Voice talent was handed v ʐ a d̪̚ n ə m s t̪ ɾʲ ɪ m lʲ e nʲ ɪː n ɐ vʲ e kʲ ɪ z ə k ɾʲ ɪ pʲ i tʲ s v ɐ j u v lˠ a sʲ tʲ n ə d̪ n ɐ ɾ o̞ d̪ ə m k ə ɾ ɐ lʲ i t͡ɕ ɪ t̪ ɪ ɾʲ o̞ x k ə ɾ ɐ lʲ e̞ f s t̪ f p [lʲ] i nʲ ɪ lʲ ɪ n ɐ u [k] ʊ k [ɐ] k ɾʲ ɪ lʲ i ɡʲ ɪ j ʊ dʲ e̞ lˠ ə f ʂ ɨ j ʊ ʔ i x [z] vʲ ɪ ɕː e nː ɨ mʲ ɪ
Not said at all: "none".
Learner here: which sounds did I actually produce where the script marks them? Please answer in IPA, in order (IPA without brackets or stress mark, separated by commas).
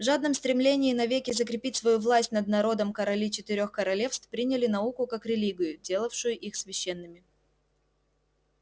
ɾʲ, k, a, s